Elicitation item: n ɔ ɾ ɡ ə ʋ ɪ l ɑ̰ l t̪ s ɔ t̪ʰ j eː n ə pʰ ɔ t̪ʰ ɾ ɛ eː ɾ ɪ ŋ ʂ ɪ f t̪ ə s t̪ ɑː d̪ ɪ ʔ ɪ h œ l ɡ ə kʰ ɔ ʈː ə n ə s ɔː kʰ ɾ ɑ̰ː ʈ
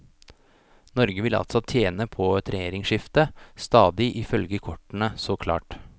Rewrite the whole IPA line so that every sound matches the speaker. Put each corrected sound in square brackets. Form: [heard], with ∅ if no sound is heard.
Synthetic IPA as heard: n ɔ ɾ ɡ ə ʋ ɪ l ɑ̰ l t̪ s ɔ t̪ʰ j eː n ə pʰ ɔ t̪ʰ ɾ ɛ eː ɾ ɪ ŋ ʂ ɪ f t̪ ə s t̪ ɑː d̪ ɪ ʔ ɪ [f] œ l ɡ ə kʰ ɔ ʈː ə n ə s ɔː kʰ [l] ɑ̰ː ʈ